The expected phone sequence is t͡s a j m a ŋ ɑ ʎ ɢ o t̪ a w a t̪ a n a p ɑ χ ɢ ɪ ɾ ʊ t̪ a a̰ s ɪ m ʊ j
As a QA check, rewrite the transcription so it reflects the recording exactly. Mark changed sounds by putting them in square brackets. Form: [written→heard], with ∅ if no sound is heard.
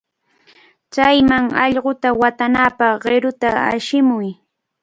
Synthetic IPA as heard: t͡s a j m a ŋ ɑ ʎ ɢ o t̪ a w a t̪ a n a p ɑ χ ɢ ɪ ɾ ʊ t̪ a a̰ [s→ʃ] ɪ m ʊ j